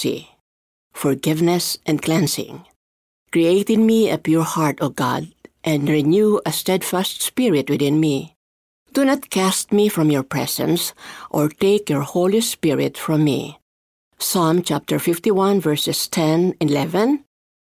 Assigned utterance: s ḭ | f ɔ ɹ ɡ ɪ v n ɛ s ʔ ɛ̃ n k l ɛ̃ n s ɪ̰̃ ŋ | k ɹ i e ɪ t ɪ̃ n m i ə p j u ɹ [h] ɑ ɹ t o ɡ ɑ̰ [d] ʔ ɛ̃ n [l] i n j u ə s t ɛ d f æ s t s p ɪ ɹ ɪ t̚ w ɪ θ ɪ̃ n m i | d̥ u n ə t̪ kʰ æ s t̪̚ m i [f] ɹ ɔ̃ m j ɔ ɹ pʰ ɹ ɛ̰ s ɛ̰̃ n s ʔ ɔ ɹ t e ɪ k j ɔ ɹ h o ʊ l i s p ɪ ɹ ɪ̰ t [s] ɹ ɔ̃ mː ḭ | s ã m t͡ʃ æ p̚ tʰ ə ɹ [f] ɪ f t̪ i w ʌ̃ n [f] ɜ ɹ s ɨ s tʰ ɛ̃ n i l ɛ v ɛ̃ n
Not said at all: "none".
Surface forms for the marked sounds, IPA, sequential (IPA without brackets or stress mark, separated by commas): h, d, ɹ, f, f, f, v